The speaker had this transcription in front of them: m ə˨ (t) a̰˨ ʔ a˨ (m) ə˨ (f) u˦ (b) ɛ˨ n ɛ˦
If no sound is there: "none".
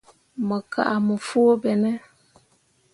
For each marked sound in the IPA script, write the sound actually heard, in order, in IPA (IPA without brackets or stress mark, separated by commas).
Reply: k, m, f, b